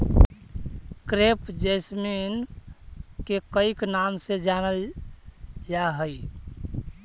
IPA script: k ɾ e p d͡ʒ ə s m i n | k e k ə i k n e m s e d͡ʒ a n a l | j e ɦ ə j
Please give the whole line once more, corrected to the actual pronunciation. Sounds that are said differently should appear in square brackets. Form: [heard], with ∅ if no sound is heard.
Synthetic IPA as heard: k ɾ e p d͡ʒ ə s m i n | k e k ə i k n [a] m s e d͡ʒ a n [ə] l | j [a] ɦ ə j